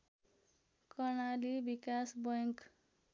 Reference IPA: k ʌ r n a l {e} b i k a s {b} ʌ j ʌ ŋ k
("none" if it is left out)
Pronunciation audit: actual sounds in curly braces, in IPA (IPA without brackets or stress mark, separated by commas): i, b